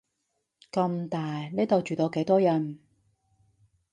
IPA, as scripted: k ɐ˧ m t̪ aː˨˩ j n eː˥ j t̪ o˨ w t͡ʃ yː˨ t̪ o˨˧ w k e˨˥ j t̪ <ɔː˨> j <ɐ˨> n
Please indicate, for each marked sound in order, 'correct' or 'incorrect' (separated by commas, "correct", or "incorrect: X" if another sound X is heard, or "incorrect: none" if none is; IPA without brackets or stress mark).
incorrect: ɔː˥, correct